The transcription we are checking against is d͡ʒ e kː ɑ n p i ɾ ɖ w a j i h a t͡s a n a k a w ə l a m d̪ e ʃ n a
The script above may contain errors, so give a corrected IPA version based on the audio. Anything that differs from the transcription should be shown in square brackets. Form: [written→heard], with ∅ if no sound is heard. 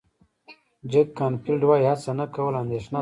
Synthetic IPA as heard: d͡ʒ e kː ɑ n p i [ɾ→l] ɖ w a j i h a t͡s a n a k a w ə l a [m→n] d̪ e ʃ n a